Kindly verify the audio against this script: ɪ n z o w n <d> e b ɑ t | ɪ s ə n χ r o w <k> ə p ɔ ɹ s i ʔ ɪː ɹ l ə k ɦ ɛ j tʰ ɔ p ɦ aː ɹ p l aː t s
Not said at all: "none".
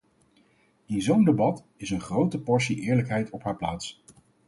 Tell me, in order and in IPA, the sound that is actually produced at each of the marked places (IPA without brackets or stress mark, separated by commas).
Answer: d, t